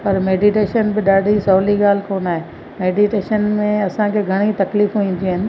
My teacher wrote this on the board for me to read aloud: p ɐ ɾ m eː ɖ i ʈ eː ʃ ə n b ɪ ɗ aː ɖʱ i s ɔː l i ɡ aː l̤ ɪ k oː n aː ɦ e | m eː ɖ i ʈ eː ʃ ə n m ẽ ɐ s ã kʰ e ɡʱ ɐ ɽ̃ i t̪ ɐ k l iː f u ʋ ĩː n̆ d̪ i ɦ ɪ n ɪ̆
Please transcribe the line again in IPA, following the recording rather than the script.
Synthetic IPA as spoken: p ɐ ɾ m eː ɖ i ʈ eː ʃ ə n b ɪ ɗ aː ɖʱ i s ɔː l i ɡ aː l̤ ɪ k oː n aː ɦ e | m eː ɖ i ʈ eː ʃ ə n m ẽ ɐ s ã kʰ e ɡʱ ɐ ɽ̃ i t̪ ɐ k l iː f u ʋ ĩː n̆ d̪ i ɦ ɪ n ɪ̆